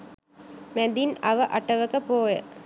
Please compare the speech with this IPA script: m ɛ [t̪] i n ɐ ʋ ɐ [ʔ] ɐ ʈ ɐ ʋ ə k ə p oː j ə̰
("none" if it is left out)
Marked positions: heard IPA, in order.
d̪, ʔ

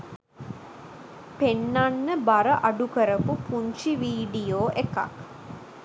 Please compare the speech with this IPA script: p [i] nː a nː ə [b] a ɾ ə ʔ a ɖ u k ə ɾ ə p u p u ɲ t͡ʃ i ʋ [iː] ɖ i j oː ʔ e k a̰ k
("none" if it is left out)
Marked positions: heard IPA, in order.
e, b, iː

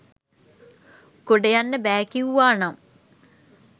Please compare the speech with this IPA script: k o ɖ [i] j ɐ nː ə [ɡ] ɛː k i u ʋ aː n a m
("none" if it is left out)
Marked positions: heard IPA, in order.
e, b

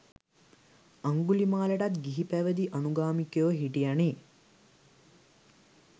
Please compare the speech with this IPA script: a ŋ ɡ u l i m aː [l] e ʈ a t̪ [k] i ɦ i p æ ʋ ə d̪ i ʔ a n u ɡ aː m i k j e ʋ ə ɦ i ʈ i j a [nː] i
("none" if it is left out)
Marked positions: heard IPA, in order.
l, ɡ, n

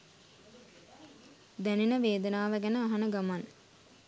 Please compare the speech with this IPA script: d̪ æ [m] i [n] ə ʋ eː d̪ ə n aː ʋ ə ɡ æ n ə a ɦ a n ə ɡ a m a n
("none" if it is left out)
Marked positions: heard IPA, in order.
n, n

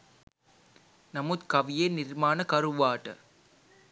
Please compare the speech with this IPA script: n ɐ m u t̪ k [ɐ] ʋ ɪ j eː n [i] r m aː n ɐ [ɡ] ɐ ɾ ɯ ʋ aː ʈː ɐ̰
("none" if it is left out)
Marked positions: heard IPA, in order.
ɐ, ɪ, k

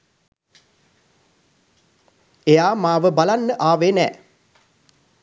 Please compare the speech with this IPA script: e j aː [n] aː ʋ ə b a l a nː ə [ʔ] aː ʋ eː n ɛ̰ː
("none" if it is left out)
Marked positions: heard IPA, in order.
m, ʔ

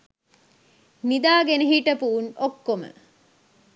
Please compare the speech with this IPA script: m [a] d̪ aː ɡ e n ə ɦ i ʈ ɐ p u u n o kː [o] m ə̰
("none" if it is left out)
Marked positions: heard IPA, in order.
i, o

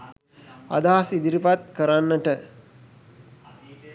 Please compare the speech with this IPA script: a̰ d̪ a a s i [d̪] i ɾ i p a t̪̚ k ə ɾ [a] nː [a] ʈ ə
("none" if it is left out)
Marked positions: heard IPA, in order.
d̪, a, ə

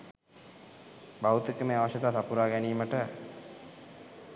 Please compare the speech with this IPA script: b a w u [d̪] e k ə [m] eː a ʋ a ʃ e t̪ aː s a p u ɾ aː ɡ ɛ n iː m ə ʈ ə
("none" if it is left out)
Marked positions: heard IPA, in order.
t̪, m

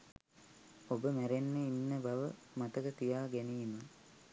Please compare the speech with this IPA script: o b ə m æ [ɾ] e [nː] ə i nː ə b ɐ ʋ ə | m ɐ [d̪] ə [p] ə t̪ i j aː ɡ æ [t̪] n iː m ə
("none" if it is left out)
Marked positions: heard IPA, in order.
ɾ, nː, t̪, k, none

